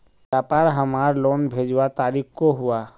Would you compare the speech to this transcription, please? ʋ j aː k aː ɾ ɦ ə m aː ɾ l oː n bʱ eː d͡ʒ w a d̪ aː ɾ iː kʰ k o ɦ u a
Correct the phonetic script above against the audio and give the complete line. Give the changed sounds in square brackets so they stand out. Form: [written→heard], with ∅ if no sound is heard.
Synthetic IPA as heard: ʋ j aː [k→p] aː ɾ ɦ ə m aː ɾ l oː n bʱ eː d͡ʒ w a [d̪→t̪] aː ɾ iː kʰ k o ɦ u a